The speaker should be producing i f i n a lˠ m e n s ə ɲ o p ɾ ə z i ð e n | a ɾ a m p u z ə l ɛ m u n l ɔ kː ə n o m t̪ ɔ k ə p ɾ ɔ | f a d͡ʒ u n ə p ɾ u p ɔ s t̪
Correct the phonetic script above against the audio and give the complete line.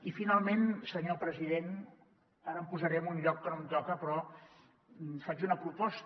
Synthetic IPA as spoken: i f i n a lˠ m e n s ə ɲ o p ɾ ə z i ð e n | a ɾ ə m p u z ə ɾ ɛ m u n ʎ ɔ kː ə n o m t̪ ɔ k ə p ɾ ɔ | f a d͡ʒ u n ə p ɾ u p ɔ s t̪